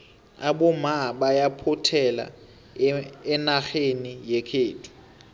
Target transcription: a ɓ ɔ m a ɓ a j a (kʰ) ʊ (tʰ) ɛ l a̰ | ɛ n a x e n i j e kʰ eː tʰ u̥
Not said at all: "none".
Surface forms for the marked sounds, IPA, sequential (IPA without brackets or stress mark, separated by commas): pʰ, tʰ